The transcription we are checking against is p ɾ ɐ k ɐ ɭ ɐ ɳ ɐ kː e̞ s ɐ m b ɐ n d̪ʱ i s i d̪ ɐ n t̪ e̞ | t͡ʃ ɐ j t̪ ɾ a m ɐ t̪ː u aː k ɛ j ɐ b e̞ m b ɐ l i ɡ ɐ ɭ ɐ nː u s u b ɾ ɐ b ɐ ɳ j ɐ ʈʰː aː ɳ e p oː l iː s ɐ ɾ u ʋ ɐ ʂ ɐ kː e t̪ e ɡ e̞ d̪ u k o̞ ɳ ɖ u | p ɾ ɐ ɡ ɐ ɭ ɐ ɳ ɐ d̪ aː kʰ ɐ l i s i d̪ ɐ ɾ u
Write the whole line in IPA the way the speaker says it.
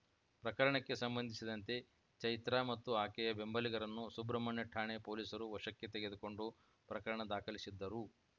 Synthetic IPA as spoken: p ɾ ɐ k ɐ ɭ ɐ ɳ ɐ kː e̞ s ɐ m b ɐ n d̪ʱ i s i d̪ ɐ n t̪ e̞ | t͡ʃ ɐ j t̪ ɾ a m ɐ t̪ː u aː k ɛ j ɐ b e̞ m b ɐ l i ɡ ɐ ɾ ɐ nː u s u b ɾ ɐ m ɐ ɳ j ɐ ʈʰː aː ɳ e p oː l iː s ɐ ɾ u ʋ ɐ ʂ ɐ kː e t̪ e ɡ e̞ d̪ u k o̞ ɳ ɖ u | p ɾ ɐ k ɐ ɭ ɐ ɳ ɐ d̪ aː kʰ ɐ l i s i d̪ː ɐ ɾ u